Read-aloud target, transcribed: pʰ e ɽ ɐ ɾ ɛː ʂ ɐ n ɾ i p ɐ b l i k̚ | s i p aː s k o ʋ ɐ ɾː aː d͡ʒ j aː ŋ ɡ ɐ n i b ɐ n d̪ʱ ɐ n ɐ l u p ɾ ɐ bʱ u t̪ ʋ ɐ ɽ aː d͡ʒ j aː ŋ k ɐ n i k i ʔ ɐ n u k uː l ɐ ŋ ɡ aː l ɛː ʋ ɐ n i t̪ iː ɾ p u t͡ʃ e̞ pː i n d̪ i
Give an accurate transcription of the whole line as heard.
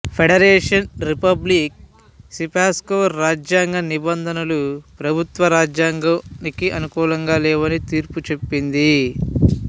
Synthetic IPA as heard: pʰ e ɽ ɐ ɾ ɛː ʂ ɐ n ɾ i p ɐ b l i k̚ | s i p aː s k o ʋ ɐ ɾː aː d͡ʒ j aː ŋ ɡ ɐ n i b ɐ n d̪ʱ ɐ n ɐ l u p ɾ ɐ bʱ u t̪ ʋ ɐ ɾ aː d͡ʒ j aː ŋ ɡ ɐ n i k i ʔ ɐ n u k uː l ɐ ŋ ɡ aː l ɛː ʋ ɐ n i t̪ iː ɾ p u t͡ʃ e̞ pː i n d̪ i